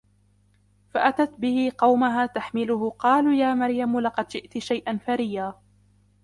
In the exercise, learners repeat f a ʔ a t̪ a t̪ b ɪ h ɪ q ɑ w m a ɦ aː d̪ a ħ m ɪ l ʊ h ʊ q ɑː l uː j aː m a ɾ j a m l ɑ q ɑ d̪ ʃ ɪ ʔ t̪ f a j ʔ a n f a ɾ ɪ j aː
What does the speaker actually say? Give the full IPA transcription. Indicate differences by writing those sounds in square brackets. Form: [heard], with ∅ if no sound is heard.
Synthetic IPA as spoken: f a ʔ a t̪ a t̪ b ɪ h ɪ q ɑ w m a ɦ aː [t̪] a ħ m ɪ l ʊ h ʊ q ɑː l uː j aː m a ɾ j a m l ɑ q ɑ d̪ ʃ ɪ ʔ t̪ [ʃ] a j ʔ a n f a ɾ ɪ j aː